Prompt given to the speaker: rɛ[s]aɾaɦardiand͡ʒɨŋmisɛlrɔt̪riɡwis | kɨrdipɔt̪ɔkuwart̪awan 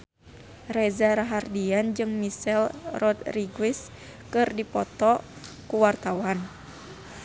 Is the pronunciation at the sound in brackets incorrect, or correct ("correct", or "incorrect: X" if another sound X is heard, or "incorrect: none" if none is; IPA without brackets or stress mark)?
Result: incorrect: z